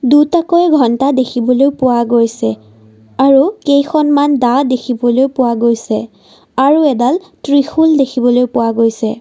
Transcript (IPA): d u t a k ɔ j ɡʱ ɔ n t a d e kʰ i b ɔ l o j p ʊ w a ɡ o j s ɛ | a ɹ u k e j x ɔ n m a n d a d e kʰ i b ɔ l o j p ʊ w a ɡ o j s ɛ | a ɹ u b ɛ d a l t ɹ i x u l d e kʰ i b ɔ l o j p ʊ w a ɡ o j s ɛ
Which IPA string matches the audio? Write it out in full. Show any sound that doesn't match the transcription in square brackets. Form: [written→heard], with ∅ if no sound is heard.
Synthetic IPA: d u t a k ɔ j ɡʱ ɔ n t a d e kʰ i b ɔ l o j p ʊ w a ɡ o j s ɛ | a ɹ u k e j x ɔ n m a n d a d e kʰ i b ɔ l o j p ʊ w a ɡ o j s ɛ | a ɹ u [b→∅] ɛ d a l t ɹ i x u l d e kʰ i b ɔ l o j p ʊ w a ɡ o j s ɛ